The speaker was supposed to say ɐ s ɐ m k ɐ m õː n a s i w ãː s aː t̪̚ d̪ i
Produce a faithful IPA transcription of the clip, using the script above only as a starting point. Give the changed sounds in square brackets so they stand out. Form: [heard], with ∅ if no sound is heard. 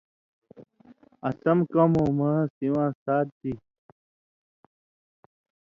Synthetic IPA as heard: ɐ s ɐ m k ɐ m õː [m] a s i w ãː s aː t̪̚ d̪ i

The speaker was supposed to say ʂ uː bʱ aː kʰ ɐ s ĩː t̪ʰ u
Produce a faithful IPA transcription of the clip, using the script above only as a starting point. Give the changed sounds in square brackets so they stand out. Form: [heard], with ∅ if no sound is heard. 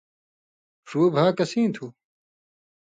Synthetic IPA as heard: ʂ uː bʱ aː [k] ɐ s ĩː t̪ʰ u

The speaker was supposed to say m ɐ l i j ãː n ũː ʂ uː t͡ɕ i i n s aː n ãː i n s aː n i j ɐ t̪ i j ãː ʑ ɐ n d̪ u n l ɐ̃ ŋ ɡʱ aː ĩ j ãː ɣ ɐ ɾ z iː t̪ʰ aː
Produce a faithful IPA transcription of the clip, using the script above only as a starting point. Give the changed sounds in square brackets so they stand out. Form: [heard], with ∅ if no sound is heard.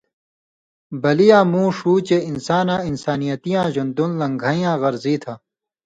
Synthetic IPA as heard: [b] ɐ l i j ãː [m] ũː ʂ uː t͡ɕ [e] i n s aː n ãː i n s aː n i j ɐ t̪ i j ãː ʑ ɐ n d̪ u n l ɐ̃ ŋ ɡʱ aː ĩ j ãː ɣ ɐ ɾ z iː t̪ʰ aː

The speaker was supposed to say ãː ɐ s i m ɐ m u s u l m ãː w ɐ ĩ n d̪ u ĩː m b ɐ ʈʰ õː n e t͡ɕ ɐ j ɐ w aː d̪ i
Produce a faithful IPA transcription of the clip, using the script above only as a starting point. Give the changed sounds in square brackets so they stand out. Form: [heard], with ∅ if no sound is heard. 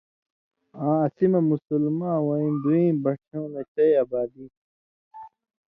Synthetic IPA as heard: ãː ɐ s i m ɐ m u s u l m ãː w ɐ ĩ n d̪ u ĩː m b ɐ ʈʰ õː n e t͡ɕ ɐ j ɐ [b] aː d̪ i

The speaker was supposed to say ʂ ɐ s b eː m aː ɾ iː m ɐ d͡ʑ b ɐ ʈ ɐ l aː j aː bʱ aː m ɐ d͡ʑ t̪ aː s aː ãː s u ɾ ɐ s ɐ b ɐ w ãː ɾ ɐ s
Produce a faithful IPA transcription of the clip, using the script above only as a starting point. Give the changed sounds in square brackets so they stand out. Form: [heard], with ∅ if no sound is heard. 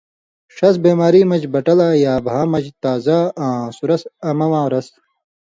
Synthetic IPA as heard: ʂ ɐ s b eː m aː ɾ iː m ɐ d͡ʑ b ɐ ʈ ɐ l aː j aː bʱ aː m ɐ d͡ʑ t̪ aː [z] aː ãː s u ɾ ɐ s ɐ [m] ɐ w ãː ɾ ɐ s

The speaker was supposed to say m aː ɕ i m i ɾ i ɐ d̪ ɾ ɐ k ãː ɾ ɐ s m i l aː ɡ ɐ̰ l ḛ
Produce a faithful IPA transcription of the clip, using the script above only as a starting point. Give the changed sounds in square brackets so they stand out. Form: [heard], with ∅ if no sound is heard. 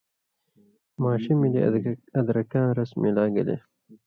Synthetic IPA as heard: m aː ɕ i m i [l] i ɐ d̪ ɾ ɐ k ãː ɾ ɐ s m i l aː ɡ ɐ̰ l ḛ

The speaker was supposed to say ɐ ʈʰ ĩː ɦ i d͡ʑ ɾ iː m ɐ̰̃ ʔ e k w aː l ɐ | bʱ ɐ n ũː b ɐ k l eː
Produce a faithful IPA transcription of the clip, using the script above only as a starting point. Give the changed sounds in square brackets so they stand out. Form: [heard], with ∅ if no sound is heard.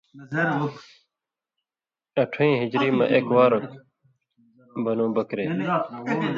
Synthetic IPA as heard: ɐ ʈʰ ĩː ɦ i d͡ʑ ɾ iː m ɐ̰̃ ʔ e k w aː [ɾ] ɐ | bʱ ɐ n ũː b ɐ k [ɾ] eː

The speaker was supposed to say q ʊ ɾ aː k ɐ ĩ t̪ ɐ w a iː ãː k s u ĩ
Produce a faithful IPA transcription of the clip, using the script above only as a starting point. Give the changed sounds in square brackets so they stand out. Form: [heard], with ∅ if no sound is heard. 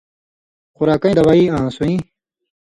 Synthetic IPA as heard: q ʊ ɾ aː k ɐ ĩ [d̪] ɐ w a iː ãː [∅] s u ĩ

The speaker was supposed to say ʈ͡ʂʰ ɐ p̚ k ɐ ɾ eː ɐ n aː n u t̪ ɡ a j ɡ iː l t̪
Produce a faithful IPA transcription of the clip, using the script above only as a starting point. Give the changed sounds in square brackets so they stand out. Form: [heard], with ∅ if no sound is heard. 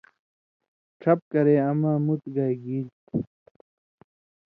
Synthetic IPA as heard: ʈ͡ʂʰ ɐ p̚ k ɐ ɾ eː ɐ [m] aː [m] u t̪ ɡ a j ɡ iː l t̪

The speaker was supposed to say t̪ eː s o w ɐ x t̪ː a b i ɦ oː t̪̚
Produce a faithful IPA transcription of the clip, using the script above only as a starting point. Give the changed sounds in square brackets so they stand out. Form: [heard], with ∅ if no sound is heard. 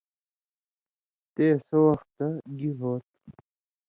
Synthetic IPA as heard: t̪ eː s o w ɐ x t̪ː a [ɡ] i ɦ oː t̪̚

